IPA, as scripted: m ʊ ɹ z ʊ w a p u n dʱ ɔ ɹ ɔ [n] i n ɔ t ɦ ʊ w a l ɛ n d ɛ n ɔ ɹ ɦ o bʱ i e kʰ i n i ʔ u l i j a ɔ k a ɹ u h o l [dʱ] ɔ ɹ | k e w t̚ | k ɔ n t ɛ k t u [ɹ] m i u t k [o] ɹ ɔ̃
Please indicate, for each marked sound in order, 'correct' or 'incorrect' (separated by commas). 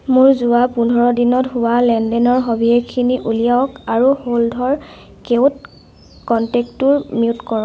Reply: incorrect, correct, correct, incorrect